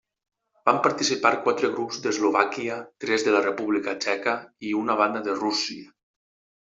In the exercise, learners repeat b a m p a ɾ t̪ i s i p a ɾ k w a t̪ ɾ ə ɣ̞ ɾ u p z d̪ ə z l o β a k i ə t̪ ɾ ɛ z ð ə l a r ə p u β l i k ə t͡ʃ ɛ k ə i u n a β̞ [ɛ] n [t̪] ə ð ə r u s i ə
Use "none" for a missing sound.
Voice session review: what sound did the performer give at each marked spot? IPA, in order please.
a, d̪

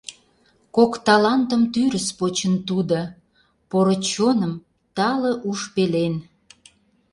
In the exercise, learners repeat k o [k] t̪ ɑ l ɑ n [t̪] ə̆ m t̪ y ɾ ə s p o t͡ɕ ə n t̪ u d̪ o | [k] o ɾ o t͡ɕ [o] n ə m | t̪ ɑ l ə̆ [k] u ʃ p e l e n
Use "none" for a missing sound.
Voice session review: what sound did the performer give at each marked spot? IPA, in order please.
k, t̪, p, o, ʔ

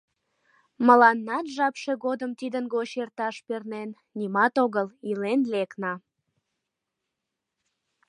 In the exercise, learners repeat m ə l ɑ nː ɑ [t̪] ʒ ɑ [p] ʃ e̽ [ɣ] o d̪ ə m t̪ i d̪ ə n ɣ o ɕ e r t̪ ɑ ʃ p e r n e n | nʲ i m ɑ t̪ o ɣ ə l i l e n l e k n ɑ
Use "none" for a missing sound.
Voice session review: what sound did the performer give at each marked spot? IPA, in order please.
t̪, p, ɣ

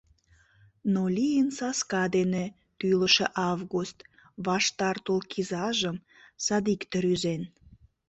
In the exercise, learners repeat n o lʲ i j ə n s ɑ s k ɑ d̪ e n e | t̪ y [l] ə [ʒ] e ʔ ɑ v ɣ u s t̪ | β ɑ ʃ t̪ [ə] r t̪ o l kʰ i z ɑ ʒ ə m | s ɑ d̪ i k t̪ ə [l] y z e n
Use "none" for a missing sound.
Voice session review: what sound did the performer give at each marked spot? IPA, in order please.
l, ʃ, ɑ, ɾ

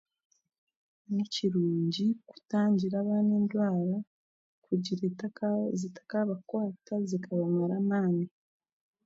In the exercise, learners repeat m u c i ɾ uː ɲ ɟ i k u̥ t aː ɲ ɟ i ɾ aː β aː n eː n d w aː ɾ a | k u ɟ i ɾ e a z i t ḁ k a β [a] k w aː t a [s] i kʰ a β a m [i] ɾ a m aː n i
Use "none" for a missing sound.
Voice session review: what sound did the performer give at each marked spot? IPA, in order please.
a, z, a

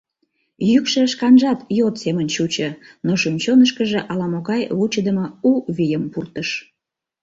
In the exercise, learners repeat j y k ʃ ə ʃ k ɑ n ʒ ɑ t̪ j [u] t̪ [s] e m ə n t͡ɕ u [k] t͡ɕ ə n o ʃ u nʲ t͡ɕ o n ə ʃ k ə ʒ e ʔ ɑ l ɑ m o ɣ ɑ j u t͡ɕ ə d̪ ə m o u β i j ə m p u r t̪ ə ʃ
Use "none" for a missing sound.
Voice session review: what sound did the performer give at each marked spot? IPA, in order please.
o, s, none

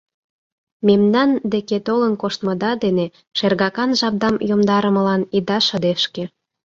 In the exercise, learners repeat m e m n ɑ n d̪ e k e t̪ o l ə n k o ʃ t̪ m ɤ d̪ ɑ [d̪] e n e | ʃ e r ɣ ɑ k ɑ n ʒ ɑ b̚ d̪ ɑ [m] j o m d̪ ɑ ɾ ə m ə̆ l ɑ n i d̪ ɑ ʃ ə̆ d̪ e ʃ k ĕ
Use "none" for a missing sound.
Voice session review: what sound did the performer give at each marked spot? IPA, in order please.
d̪, m

